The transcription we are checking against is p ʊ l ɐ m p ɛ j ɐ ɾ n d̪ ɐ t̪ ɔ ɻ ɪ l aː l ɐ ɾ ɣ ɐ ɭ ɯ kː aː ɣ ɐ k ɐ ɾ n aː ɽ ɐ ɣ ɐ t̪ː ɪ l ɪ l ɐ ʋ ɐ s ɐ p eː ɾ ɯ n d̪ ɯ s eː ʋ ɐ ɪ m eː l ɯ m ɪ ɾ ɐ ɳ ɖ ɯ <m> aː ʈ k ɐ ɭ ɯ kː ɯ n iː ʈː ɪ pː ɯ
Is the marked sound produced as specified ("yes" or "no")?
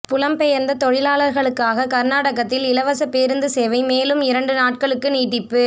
no